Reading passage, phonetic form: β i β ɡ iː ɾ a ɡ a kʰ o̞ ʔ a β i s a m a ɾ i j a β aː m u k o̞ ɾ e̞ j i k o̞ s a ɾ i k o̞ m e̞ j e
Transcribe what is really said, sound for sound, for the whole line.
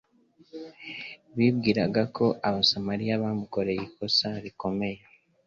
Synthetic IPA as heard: β i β ɡ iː ɾ a ɡ a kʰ o̞ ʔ a β a s a m a ɾ i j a β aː m u k o̞ ɾ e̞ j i k o̞ s a ɾ i k o̞ m e̞ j e